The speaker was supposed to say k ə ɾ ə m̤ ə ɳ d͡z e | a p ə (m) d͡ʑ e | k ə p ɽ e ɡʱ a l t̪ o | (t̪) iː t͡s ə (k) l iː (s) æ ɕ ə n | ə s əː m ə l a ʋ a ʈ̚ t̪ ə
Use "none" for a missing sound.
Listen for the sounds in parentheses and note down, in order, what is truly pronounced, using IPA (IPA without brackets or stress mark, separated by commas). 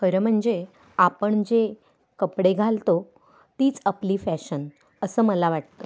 ɳ, t̪, p, f